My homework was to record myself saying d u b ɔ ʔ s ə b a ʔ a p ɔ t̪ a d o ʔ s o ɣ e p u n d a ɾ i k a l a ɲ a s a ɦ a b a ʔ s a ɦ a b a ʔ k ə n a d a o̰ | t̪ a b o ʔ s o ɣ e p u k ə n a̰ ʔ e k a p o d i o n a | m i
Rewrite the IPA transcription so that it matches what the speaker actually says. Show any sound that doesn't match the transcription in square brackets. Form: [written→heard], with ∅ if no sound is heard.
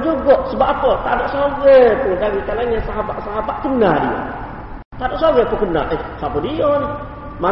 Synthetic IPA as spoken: [d→d͡ʒ] u [b→ɡ] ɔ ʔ s ə b a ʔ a p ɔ t̪ a d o ʔ s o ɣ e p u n d a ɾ i k a l a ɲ a s a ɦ a b a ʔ s a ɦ a b a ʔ k ə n a d [a→i] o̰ | t̪ a [b→d] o ʔ s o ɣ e p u k ə n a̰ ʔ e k a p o d i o n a | m [i→a]